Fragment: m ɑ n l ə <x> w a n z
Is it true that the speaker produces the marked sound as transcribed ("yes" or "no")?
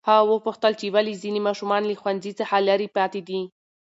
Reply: yes